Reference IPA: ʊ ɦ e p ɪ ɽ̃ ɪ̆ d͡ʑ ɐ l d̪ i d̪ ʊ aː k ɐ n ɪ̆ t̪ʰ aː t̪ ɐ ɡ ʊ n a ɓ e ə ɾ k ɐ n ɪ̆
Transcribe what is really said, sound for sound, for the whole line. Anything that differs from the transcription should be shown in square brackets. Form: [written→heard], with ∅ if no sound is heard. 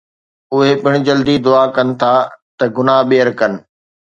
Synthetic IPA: ʊ ɦ e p ɪ ɽ̃ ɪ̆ d͡ʑ ɐ l d̪ i d̪ ʊ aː k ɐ n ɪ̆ t̪ʰ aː t̪ ɐ ɡ ʊ n a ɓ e ə ɾ k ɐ n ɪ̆